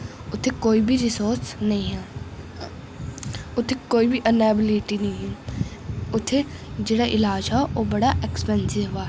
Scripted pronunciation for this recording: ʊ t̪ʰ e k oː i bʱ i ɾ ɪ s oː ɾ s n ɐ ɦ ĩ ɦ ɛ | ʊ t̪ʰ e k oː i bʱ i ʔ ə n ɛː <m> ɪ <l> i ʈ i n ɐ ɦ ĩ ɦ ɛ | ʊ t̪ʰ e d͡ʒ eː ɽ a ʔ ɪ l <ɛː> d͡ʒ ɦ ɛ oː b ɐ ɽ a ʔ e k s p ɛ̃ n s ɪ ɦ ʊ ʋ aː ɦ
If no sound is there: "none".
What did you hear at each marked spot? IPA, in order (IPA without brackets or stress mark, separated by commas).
b, l, aː